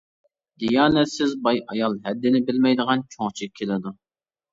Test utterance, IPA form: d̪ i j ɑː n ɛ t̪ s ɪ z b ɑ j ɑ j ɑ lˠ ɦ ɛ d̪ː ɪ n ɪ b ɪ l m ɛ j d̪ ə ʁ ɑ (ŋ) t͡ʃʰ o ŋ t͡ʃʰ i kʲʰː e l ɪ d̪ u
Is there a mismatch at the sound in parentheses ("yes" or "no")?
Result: yes